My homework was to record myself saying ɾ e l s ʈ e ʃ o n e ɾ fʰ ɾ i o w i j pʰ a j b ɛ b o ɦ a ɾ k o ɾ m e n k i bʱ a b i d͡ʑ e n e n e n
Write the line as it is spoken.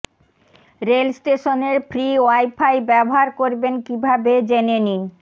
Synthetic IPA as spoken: ɾ e l s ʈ e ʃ o n e ɾ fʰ ɾ i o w a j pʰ a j b ɛ b o ɦ a ɾ k o ɾ b e n k i bʱ a b e d͡ʑ e n e n i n